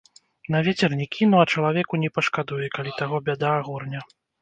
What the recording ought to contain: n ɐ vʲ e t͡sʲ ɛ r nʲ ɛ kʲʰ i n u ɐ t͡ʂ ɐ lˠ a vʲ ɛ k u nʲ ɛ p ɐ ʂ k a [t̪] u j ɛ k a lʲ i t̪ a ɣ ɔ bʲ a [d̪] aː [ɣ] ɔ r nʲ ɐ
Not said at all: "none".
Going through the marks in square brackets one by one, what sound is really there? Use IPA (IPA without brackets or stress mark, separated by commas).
d̪, d̪, ɣ